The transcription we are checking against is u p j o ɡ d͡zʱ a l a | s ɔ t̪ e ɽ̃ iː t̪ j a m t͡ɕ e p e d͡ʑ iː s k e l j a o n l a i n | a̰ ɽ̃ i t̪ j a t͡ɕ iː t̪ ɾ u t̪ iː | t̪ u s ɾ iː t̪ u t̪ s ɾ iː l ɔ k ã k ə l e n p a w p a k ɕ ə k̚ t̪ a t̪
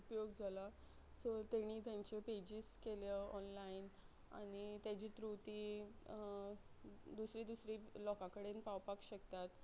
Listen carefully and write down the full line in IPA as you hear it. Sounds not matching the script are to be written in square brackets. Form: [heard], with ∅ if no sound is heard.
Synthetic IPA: u p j o ɡ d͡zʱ a l a | s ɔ t̪ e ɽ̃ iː t̪ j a [ɲ] t͡ɕ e p e d͡ʑ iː s k e l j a [ɔ] n l a i n | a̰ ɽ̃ i t̪ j a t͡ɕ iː t̪ ɾ u t̪ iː | [d̪] u s ɾ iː [d̪] u [∅] s ɾ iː l ɔ k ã k ə [ɽ] e n p a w p a k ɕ ə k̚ t̪ a t̪

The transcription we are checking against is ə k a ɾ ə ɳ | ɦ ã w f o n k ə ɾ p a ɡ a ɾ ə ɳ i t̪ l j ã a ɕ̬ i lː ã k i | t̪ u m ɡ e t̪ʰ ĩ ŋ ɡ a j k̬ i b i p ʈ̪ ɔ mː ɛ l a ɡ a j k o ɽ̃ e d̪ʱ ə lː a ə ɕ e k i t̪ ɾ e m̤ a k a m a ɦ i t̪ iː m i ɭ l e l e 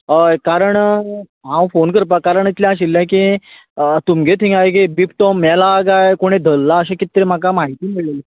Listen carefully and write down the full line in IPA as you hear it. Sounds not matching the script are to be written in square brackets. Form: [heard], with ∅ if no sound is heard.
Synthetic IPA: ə k a ɾ ə ɳ | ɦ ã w f o n k ə ɾ p a [k] a ɾ ə ɳ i t̪ l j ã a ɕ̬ i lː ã k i | t̪ u m ɡ e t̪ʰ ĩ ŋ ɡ a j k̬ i b i p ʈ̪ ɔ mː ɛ l a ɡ a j k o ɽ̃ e d̪ʱ ə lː a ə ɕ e k i t̪ ɾ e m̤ a k a m a ɦ i t̪ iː m i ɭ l e l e

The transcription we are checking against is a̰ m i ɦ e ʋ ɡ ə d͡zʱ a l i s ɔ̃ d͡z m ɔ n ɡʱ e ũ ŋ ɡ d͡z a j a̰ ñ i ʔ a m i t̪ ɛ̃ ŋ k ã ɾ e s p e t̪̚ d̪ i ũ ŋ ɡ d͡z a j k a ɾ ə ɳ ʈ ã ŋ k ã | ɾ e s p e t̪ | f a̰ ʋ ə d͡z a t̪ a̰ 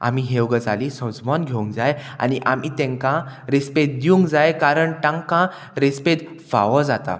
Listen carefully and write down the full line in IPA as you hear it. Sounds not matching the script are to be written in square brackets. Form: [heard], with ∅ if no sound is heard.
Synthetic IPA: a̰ m i ɦ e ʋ ɡ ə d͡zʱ a l i s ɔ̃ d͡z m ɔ n ɡʱ e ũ ŋ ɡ d͡z a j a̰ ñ i ʔ a m i t̪ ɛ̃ ŋ k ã ɾ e s p e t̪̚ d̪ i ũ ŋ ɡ d͡z a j k a ɾ ə ɳ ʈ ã ŋ k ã | ɾ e s p e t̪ | f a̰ ʋ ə d͡z a t̪ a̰

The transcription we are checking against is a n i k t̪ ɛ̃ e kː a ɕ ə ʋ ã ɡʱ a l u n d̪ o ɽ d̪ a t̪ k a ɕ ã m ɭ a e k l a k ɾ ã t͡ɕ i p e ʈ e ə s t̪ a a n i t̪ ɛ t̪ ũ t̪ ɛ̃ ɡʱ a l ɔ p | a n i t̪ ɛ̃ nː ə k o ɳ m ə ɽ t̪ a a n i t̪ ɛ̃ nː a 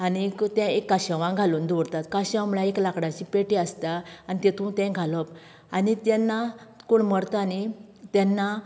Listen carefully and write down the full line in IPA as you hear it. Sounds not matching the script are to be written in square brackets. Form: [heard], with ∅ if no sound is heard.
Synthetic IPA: a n i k t̪ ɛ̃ e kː a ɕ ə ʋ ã ɡʱ a l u n d̪ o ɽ [t̪] a t̪ k a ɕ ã m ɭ a e k l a k [ɽ] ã t͡ɕ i p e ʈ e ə s t̪ a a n i t̪ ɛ t̪ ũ t̪ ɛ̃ ɡʱ a l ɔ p | a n i t̪ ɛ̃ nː [a] k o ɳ m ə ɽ t̪ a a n i t̪ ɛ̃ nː a

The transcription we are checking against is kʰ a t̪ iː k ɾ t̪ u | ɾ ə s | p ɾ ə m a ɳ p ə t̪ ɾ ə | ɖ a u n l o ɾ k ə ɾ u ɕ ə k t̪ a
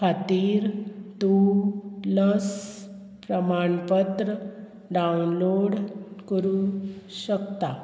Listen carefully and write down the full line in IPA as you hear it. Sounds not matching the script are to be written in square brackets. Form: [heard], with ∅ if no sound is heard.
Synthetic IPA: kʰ a t̪ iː [∅] ɾ t̪ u | [l] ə s | p ɾ ə m a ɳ p ə t̪ ɾ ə | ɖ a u n l o [ɽ] k ə ɾ u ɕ ə k t̪ a

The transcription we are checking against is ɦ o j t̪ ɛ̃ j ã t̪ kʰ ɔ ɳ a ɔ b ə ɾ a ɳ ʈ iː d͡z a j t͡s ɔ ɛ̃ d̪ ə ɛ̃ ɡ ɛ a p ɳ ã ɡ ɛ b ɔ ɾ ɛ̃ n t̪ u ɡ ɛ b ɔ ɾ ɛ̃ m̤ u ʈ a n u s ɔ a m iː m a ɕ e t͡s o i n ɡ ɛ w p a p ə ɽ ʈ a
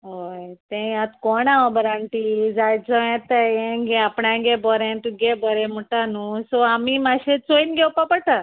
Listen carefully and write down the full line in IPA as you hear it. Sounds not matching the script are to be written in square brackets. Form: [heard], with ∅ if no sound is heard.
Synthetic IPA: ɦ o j t̪ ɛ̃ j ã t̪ [k] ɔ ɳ a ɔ b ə ɾ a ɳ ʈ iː d͡z a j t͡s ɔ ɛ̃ [t̪] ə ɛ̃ ɡ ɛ a p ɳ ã ɡ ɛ b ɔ ɾ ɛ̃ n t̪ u ɡ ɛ b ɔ ɾ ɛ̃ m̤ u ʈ a n u s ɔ a m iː m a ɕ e t͡s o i n ɡ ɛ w p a p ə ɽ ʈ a

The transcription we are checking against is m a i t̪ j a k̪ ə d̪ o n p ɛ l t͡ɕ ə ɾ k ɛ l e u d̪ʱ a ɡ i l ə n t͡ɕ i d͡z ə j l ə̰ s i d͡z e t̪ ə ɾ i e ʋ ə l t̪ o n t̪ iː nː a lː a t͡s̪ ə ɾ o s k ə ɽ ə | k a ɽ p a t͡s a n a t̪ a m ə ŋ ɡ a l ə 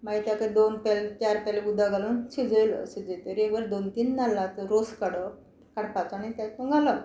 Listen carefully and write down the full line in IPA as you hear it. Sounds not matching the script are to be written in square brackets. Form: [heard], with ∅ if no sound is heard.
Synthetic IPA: m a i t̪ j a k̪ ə d̪ o n p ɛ l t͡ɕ [a] ɾ [p] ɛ l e u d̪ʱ a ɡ [a] l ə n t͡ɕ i d͡z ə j l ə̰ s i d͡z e t̪ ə ɾ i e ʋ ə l [d̪] o n t̪ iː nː a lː a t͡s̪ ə ɾ o s k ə ɽ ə | k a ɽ p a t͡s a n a t̪ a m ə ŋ ɡ a l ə

